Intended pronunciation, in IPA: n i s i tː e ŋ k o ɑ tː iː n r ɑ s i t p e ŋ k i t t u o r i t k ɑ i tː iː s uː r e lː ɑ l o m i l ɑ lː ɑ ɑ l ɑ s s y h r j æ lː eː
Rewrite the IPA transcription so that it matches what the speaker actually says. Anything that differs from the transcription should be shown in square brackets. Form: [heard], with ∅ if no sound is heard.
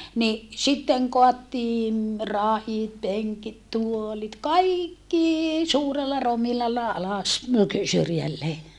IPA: n i s i tː e ŋ k o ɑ tː iː n r ɑ [h] i t p e ŋ k i t t u o [l] i t k ɑ i [kː] iː s uː r e lː ɑ [r] o m i l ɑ lː ɑ ɑ l ɑ s s y [∅] r j æ lː eː